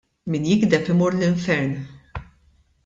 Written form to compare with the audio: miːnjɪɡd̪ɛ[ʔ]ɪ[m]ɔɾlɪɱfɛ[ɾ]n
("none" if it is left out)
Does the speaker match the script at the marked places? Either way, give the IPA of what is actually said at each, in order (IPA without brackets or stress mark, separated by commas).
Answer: p, m, ɾ